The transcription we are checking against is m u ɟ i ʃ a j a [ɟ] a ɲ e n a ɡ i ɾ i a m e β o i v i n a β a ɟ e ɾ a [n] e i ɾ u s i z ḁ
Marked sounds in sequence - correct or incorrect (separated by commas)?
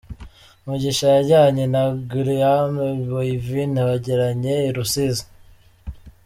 correct, incorrect